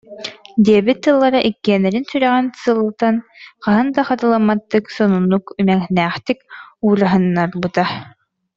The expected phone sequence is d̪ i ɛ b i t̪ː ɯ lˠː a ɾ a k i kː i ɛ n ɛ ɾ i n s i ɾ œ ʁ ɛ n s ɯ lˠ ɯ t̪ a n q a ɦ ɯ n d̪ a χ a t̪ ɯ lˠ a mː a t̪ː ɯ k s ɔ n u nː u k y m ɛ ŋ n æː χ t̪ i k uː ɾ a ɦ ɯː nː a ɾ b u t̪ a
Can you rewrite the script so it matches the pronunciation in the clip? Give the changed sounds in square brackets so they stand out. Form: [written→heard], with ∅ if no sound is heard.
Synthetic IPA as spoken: d̪ i ɛ b i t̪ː ɯ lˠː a ɾ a [k→ʔ] i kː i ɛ n ɛ ɾ i n s [i→y] ɾ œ ʁ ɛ n s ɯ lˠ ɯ t̪ a n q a ɦ ɯ n d̪ a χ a t̪ ɯ lˠ a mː a t̪ː ɯ k s ɔ n u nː u k y m ɛ ŋ n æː χ t̪ i k uː ɾ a ɦ [ɯː→ɯ] nː a ɾ b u t̪ a